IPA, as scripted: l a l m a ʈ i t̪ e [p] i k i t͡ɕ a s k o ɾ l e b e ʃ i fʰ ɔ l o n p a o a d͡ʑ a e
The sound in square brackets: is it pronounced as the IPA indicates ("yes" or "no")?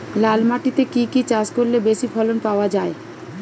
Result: no